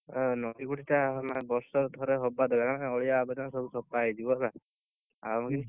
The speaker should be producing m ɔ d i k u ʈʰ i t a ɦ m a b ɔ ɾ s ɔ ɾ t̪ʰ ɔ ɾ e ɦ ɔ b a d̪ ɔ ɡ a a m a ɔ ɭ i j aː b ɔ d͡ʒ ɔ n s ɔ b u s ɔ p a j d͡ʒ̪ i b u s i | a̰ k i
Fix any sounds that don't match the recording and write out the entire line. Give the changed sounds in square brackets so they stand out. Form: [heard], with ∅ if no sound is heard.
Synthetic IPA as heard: [n] ɔ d i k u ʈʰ i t a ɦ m a b ɔ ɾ s ɔ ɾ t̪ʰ ɔ ɾ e ɦ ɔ b a d̪ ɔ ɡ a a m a ɔ ɭ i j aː b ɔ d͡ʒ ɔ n s ɔ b u s ɔ p a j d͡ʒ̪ i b [ɔ] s [a] | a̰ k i

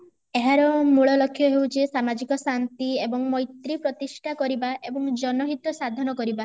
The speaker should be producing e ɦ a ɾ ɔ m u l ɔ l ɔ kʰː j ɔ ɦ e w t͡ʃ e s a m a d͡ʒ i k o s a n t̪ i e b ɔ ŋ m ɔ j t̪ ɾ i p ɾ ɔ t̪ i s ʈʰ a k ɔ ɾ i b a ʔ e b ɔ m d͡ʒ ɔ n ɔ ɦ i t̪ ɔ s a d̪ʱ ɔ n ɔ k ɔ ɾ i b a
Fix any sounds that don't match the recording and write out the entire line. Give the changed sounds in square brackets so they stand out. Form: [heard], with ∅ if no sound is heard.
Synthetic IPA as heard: e ɦ a ɾ ɔ m u [ɭ] ɔ l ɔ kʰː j ɔ ɦ e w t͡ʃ e s a m a d͡ʒ i k [ɔ] s a n t̪ i e b ɔ ŋ m ɔ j t̪ ɾ i p ɾ ɔ t̪ i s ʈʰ a k ɔ ɾ i b a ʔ e b ɔ [ŋ] d͡ʒ ɔ n ɔ ɦ i t̪ ɔ s a d̪ʱ ɔ n ɔ k ɔ ɾ i b a

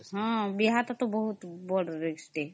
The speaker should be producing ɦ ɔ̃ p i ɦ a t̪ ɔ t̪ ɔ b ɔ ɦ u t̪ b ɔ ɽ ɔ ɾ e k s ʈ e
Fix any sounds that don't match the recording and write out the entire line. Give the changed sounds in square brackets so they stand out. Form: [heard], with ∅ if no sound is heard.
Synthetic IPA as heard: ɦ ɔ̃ [b] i ɦ a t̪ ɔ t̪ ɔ b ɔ ɦ u t̪ b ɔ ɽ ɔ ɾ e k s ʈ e

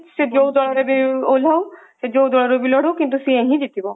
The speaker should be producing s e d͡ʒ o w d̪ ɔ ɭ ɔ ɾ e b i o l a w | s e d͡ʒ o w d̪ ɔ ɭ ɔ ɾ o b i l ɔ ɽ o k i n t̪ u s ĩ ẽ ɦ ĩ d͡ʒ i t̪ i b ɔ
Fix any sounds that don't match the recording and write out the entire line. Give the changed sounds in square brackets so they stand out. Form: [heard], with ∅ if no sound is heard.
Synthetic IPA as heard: s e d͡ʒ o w d̪ ɔ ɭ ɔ ɾ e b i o l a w | s e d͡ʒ o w d̪ ɔ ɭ ɔ ɾ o b i l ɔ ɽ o k i n t̪ u s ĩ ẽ ɦ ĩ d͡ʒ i t̪ i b ɔ

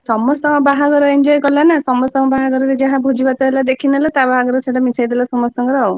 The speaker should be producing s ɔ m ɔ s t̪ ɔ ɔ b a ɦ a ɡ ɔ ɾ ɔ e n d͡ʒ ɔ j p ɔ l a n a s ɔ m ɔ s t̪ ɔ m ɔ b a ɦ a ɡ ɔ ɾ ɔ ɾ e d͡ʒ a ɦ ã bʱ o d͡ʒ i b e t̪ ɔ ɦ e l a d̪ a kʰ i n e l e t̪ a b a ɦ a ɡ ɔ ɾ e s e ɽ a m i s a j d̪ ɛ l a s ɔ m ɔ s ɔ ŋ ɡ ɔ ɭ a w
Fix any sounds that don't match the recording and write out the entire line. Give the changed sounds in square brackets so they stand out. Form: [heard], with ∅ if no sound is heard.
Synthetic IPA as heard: s ɔ m ɔ s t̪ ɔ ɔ b a ɦ a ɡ ɔ ɾ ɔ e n d͡ʒ ɔ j [k] ɔ l a n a s ɔ m ɔ s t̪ ɔ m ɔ b a ɦ a ɡ ɔ ɾ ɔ ɾ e d͡ʒ a ɦ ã bʱ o d͡ʒ i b [a] t̪ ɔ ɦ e l a d̪ [e] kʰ i n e l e t̪ a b a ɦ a ɡ ɔ ɾ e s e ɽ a m i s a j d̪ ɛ l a s ɔ m ɔ s ɔ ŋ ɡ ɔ [ɾ] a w

